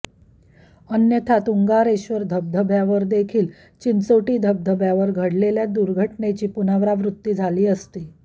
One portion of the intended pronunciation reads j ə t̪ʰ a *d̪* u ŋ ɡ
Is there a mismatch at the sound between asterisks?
yes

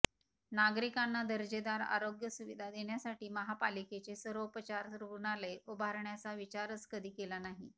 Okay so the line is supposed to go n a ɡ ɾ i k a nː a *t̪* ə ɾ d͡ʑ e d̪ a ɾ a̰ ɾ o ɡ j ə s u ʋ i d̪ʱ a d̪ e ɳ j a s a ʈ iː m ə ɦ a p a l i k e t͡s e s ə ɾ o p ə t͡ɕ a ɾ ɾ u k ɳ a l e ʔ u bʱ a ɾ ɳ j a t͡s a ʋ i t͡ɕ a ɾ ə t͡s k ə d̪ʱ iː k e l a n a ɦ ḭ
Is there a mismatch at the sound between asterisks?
yes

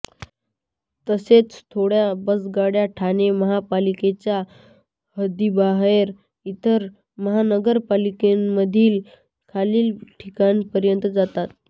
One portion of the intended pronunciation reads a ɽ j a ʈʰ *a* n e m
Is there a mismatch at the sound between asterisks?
no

